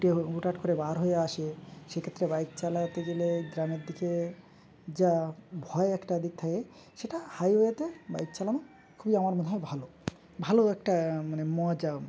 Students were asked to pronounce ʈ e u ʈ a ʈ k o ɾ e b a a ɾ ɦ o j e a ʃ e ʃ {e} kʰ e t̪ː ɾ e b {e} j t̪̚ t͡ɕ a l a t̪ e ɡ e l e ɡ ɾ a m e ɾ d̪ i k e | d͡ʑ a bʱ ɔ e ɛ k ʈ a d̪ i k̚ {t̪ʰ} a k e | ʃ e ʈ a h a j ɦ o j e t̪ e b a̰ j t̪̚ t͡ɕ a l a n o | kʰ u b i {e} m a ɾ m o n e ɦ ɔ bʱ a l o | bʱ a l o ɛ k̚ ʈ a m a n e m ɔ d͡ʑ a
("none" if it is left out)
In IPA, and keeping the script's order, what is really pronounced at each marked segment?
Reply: e, a, t̪ʰ, a

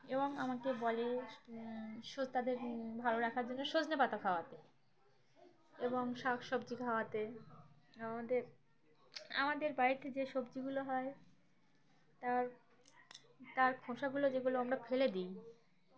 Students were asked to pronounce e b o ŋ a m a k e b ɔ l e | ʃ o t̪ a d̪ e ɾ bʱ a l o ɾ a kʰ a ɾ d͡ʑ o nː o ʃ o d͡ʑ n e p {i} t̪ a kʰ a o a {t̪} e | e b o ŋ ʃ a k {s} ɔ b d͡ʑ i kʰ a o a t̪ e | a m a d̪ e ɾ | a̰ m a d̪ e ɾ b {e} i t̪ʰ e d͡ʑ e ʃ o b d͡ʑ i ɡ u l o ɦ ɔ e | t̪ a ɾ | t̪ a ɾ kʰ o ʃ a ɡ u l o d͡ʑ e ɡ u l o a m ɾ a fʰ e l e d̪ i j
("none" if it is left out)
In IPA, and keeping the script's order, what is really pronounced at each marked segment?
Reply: a, t̪, ʃ, a

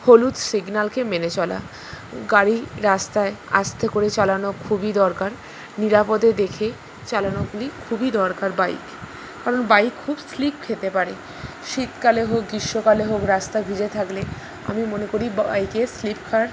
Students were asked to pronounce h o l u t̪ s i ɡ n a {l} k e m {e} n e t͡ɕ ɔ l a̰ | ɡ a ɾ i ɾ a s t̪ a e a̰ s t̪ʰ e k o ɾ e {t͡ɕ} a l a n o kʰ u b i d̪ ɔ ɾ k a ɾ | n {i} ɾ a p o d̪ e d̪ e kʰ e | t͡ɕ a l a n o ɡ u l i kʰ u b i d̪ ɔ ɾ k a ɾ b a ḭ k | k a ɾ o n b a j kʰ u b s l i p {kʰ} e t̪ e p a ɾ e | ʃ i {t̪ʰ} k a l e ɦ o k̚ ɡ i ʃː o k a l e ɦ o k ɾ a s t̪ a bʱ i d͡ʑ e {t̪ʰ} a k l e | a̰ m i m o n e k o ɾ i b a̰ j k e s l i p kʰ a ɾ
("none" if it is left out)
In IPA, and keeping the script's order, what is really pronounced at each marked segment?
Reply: l, e, t͡ɕ, i, kʰ, t̪, t̪ʰ

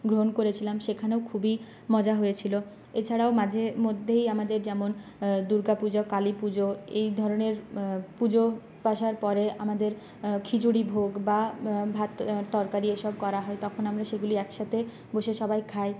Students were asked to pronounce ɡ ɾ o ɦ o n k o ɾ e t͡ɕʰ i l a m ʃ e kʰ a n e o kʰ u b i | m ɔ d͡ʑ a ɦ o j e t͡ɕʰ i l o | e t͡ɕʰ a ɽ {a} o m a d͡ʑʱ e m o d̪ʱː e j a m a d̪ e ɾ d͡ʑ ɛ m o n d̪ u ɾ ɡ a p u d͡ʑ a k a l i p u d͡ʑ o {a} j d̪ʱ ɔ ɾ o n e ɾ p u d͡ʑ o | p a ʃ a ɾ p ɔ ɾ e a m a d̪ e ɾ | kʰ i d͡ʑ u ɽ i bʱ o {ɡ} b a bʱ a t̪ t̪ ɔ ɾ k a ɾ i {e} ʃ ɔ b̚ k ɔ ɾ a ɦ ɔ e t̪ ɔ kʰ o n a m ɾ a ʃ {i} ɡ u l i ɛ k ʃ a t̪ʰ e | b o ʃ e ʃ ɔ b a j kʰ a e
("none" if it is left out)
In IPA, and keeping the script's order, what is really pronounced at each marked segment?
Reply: a, e, ɡ, e, e

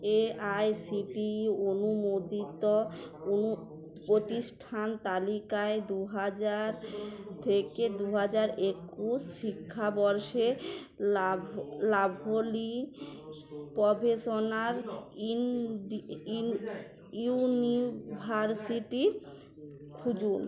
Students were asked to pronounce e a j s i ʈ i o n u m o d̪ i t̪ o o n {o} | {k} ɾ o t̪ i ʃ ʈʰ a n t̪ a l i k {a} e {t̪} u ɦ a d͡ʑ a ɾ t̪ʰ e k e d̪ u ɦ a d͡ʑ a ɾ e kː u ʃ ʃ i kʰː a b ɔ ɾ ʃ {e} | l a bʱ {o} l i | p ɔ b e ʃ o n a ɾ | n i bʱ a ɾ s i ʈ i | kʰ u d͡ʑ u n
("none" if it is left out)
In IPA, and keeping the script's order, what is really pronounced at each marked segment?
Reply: u, p, a, d̪, e, o

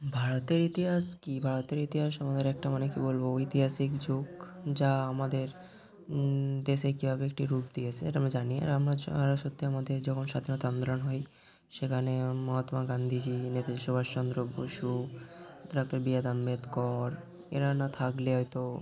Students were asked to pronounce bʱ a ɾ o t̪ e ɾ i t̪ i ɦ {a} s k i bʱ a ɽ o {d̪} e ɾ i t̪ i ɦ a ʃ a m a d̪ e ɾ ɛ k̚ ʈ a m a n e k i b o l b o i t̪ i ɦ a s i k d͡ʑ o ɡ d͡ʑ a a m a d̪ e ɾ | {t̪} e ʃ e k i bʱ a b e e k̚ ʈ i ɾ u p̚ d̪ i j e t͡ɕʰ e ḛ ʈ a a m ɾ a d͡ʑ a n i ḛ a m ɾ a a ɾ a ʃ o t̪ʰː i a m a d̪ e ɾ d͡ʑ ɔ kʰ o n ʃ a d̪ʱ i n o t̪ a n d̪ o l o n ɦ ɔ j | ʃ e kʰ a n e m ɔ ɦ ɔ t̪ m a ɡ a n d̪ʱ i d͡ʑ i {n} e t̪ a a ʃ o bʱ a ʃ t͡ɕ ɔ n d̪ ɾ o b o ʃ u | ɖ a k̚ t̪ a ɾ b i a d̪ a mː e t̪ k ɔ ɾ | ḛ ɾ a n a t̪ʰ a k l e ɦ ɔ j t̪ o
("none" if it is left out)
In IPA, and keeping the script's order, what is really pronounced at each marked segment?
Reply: a, t̪, d̪, n

